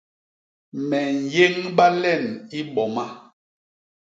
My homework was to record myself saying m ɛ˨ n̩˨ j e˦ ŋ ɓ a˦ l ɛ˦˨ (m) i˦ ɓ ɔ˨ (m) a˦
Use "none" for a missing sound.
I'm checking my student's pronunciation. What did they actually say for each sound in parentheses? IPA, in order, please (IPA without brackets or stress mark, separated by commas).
n, m